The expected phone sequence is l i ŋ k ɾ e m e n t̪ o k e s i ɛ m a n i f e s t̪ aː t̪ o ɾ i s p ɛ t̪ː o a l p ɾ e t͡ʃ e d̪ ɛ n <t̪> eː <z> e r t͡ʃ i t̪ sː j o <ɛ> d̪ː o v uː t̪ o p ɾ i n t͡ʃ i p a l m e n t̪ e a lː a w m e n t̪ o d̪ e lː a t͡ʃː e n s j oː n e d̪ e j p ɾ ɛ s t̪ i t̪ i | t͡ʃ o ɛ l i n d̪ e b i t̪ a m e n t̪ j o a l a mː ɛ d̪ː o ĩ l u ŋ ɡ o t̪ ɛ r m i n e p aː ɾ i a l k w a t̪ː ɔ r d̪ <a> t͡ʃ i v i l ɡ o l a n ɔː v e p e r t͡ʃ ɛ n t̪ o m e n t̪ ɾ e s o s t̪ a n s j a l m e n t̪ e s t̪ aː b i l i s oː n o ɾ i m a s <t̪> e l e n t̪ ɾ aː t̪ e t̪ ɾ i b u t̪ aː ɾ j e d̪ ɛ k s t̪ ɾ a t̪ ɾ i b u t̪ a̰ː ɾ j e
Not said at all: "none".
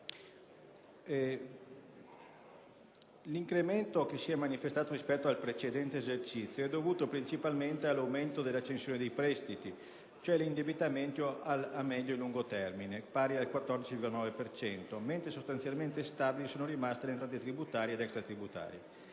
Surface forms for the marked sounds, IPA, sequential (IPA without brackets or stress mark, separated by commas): t̪, z, ɛ, i, t̪